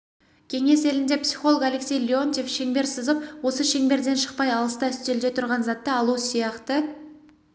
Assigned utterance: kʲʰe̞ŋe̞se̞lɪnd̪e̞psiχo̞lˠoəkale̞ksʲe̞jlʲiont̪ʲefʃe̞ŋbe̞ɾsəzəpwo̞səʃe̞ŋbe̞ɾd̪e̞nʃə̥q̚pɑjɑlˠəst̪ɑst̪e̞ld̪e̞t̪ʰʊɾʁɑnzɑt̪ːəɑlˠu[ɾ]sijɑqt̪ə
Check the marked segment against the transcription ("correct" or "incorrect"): incorrect